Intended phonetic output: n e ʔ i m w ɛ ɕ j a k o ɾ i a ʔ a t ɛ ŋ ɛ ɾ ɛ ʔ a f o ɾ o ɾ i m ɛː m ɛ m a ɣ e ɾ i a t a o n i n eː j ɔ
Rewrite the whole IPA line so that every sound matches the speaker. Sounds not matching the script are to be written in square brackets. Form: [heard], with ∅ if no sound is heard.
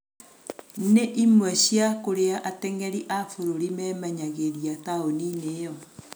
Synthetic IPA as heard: n e ʔ i m w ɛ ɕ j a k o ɾ [e] a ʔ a t ɛ ŋ ɛ ɾ [i] ʔ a f o ɾ o ɾ i m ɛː m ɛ [ɲ] a ɣ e ɾ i a t a o n i n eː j ɔ